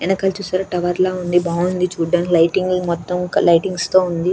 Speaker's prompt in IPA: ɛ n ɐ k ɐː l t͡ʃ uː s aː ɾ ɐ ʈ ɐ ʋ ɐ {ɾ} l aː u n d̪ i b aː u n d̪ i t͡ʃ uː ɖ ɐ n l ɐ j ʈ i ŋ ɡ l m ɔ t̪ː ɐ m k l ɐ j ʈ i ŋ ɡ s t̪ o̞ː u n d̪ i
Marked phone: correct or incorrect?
correct